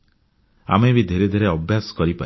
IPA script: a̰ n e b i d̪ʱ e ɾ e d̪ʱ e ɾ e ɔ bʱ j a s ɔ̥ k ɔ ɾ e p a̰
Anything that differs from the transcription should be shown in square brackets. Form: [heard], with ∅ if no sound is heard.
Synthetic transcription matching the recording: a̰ [m] e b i d̪ʱ e ɾ e d̪ʱ e ɾ e ɔ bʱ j a s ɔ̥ k ɔ ɾ [i] p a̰